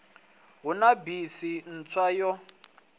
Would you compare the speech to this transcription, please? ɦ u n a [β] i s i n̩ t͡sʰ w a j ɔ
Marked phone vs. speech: incorrect: b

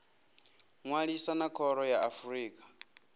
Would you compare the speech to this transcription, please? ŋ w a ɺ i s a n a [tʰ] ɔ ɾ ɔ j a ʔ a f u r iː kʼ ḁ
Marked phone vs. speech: incorrect: kʰ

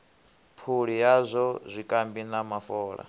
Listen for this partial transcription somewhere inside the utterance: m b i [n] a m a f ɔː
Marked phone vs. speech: correct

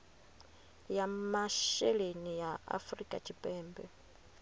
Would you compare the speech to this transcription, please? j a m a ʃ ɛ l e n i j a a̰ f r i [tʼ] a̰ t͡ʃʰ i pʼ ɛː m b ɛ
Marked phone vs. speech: incorrect: kʼ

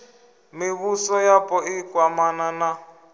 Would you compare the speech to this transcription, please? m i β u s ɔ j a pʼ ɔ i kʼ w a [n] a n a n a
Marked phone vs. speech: incorrect: m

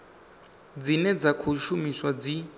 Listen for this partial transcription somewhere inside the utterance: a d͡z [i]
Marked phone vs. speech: correct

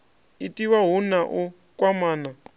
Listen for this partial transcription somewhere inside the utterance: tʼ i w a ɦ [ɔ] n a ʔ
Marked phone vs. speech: incorrect: u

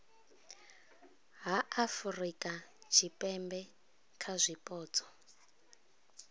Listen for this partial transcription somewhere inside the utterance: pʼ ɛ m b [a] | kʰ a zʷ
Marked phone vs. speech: incorrect: ɛ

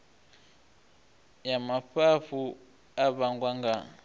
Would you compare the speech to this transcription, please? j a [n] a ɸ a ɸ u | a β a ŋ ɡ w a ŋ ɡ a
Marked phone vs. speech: incorrect: m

